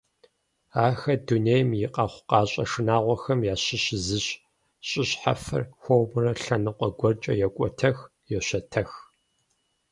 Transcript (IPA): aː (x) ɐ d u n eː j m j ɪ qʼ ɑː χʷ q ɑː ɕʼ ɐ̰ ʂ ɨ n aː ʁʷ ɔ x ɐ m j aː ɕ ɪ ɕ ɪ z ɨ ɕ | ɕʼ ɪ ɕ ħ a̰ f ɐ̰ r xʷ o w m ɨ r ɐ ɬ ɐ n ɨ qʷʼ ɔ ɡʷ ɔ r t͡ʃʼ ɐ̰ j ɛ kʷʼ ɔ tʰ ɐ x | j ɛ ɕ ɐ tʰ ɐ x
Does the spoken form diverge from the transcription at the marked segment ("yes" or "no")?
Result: no